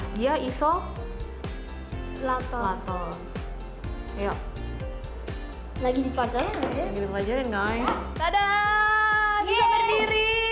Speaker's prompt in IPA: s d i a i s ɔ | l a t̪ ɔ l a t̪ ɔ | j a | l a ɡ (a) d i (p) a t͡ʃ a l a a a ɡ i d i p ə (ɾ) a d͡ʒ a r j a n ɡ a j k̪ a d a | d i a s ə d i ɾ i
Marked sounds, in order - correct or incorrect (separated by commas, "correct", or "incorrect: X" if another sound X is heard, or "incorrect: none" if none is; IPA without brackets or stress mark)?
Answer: incorrect: i, correct, incorrect: l